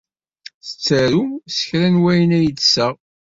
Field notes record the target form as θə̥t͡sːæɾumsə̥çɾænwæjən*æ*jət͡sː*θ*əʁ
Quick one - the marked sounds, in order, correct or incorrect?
correct, incorrect

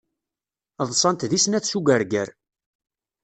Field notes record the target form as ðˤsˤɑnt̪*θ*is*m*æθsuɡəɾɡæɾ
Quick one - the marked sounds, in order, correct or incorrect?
incorrect, incorrect

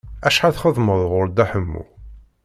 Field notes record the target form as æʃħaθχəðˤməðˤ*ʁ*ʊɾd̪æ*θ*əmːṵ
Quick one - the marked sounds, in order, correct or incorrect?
correct, incorrect

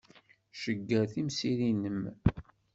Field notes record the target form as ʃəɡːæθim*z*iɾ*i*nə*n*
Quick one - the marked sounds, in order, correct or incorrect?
incorrect, correct, incorrect

